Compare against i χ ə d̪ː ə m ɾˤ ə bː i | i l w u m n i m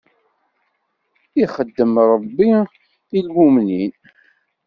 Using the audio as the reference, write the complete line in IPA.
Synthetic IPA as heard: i χ ə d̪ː ə m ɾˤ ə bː i | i l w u m n i n